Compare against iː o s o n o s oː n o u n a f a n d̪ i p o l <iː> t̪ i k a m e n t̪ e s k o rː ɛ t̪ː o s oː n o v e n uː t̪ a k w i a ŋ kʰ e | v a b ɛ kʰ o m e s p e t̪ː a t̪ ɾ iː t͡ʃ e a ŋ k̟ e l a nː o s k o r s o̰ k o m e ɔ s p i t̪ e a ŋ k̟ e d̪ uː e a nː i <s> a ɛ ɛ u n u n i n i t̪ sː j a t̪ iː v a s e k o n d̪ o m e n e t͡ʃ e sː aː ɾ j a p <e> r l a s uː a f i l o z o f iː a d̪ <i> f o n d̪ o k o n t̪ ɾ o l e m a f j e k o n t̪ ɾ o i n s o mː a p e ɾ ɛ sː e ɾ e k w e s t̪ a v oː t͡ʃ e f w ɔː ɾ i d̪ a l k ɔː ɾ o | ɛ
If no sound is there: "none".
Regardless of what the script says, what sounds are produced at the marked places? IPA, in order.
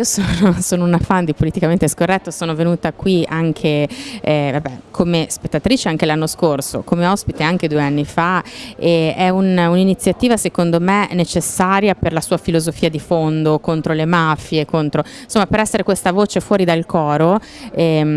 i, f, e, i

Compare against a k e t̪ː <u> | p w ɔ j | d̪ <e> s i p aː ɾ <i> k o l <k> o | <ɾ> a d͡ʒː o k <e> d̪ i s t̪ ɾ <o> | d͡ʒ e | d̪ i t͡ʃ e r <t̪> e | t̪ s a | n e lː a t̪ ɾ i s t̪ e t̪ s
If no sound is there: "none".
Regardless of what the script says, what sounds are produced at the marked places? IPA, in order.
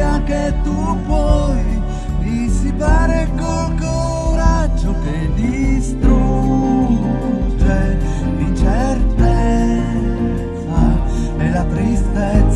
u, i, e, k, ɾ, e, u, t̪

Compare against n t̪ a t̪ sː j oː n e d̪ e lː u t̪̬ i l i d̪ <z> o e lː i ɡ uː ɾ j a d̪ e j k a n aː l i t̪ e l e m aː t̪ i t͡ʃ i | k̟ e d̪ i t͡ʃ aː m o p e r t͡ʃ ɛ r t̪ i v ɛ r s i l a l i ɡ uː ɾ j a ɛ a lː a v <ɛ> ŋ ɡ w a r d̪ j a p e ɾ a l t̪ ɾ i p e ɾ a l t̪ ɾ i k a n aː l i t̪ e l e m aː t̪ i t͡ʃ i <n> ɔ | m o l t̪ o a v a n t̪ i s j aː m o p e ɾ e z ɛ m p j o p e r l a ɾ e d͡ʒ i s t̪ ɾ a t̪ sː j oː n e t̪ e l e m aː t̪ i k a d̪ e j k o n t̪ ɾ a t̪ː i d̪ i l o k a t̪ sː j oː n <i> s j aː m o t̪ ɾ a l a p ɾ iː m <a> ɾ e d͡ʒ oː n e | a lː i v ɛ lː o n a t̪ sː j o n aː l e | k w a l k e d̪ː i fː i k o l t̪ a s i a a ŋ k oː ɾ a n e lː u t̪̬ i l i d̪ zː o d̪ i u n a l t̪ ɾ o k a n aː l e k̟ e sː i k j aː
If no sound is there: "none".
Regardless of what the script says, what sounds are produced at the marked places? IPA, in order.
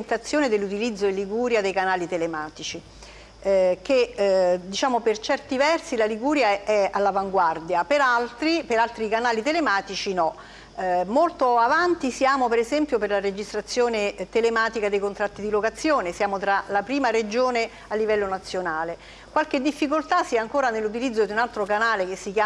zː, a, n, e, a

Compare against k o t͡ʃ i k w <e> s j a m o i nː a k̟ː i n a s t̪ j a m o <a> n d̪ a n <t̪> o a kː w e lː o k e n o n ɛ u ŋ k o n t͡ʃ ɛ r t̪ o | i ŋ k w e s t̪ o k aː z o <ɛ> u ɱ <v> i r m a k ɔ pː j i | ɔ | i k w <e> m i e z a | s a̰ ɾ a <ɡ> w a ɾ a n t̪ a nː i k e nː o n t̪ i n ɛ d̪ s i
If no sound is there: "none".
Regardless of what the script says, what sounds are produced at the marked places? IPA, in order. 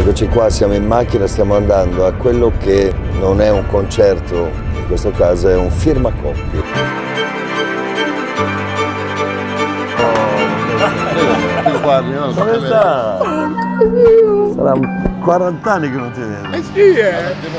a, a, d̪, ɛ, f, a, k

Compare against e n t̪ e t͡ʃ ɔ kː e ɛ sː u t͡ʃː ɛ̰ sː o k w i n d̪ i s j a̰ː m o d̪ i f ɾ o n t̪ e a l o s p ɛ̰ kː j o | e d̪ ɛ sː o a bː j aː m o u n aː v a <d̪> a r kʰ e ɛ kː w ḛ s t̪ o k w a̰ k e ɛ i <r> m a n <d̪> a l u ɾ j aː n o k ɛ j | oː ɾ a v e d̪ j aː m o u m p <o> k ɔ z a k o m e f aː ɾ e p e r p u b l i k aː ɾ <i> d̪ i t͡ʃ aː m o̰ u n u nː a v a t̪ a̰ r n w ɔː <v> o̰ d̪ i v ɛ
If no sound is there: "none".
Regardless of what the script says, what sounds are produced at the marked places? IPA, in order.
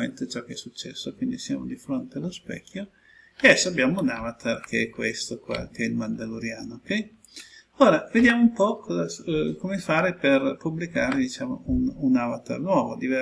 t̪, l, d̪, ɔ, e, v

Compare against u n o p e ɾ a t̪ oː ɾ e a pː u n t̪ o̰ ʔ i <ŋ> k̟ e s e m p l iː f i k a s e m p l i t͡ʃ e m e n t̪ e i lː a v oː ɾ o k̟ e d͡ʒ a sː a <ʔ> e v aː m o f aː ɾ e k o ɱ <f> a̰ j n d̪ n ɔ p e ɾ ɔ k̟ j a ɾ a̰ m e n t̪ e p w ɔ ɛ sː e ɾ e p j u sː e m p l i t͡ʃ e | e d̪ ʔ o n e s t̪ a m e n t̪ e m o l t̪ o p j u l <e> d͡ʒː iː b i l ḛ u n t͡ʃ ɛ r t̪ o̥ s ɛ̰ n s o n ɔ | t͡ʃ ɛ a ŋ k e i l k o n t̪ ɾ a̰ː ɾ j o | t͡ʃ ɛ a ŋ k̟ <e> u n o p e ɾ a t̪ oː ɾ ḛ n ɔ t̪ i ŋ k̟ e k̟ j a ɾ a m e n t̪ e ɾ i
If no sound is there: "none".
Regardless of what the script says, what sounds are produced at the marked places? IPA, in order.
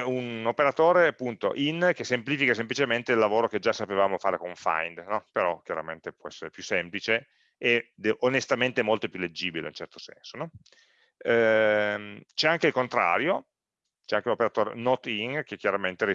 n, p, f, e, e

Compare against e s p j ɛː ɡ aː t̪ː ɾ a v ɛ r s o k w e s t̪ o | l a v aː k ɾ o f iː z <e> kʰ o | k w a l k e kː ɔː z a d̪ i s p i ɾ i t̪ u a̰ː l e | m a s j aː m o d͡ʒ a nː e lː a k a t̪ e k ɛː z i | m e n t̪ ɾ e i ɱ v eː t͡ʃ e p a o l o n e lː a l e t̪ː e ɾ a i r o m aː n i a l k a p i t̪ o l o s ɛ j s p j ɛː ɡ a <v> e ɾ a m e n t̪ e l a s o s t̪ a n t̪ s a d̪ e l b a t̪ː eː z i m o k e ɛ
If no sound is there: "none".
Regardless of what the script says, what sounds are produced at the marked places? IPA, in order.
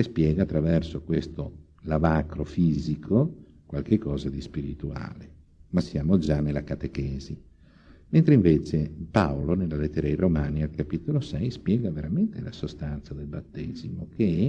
i, v

